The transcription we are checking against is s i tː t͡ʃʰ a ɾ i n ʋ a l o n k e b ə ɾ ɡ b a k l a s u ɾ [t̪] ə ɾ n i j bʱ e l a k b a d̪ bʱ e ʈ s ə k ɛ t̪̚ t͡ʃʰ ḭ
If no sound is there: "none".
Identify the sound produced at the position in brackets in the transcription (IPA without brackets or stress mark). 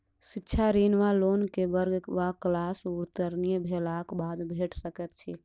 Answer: t̪